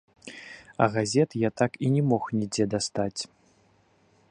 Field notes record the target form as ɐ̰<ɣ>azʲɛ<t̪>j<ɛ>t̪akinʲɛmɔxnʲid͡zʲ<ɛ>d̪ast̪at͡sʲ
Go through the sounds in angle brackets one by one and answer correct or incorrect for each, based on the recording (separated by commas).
correct, correct, incorrect, correct